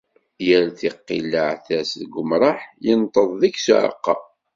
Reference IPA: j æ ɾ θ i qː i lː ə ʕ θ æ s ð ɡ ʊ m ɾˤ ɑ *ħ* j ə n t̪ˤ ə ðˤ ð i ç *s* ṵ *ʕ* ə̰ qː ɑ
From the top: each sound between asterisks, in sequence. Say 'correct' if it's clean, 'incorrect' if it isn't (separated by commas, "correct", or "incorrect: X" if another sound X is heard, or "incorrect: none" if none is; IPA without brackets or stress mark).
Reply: correct, correct, correct